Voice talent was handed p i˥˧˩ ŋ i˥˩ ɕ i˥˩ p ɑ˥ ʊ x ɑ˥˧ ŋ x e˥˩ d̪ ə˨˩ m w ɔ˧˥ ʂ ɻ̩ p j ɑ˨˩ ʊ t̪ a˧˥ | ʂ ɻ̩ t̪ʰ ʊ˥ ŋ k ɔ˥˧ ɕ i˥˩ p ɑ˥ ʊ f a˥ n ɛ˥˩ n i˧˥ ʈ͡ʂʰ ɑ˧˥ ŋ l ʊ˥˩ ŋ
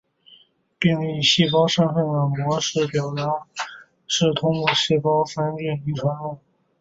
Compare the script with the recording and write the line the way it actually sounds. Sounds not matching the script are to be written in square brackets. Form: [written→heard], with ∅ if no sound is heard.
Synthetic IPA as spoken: p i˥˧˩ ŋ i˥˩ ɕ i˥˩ p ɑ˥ ʊ [x→ʂ] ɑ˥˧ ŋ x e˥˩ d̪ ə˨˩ m w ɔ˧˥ ʂ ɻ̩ p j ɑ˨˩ ʊ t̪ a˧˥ | ʂ ɻ̩ t̪ʰ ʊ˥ ŋ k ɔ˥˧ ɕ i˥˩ p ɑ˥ ʊ f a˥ n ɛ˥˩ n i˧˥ ʈ͡ʂʰ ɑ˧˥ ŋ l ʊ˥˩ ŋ